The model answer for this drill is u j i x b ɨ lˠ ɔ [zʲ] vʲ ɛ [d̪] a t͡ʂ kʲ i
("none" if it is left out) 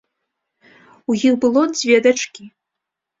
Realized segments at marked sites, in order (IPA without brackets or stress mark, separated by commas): d͡zʲ, d̪